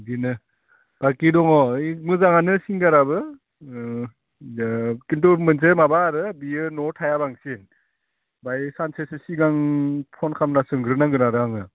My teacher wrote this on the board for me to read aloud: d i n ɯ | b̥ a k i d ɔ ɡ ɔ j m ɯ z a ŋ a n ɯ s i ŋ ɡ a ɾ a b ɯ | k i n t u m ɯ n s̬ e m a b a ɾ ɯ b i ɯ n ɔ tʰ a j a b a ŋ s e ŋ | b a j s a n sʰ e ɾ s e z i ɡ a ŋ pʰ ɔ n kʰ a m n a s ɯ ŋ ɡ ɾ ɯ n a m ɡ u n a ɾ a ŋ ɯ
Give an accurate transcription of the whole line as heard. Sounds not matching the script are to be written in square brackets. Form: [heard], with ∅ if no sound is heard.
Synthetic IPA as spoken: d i n ɯ | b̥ a k i d ɔ [ŋ] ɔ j m ɯ z a ŋ a n ɯ s i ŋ ɡ a ɾ a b ɯ | k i n t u m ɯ n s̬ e m a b a ɾ ɯ b i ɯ n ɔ tʰ a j a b a ŋ s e [n] | b a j s a n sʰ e [∅] s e [s] i ɡ a ŋ pʰ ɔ n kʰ a m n a s ɯ ŋ ɡ ɾ ɯ n a [ŋ] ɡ [ɯ] n a ɾ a ŋ ɯ